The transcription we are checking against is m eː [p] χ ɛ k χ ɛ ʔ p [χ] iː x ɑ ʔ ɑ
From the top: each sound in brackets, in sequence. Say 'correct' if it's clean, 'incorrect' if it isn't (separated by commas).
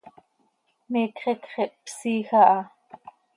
incorrect, incorrect